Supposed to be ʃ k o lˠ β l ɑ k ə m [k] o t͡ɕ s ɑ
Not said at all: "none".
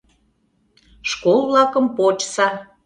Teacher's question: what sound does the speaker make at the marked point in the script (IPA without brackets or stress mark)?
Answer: p